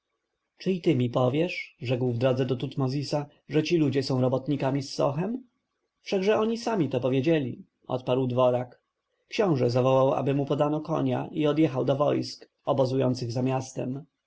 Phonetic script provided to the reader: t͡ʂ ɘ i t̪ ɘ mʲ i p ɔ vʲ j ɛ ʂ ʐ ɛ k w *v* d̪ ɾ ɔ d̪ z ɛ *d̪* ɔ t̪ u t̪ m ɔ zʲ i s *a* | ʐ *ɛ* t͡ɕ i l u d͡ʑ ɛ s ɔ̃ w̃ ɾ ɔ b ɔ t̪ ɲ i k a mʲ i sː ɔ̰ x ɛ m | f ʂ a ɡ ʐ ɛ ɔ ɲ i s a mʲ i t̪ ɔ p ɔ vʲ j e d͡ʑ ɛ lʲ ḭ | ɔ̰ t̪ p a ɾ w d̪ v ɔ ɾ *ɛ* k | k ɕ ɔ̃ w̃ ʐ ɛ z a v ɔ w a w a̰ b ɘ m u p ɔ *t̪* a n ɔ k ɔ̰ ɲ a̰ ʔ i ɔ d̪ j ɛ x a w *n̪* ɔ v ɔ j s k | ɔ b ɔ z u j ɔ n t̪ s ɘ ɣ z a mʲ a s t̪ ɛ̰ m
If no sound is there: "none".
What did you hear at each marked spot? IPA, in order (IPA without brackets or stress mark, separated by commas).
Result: v, d̪, a, ɛ, a, d̪, d̪